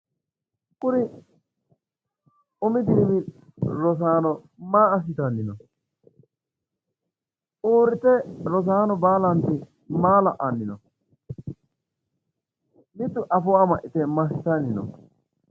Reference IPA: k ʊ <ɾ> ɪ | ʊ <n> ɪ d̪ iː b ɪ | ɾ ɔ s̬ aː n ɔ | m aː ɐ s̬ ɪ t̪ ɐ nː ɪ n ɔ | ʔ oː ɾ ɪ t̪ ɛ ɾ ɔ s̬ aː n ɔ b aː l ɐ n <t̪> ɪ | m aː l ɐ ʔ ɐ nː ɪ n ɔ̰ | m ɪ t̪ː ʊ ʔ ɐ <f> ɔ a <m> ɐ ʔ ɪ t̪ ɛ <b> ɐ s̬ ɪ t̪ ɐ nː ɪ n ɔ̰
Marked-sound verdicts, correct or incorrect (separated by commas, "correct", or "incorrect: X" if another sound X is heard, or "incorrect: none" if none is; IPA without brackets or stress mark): correct, incorrect: m, correct, correct, correct, incorrect: m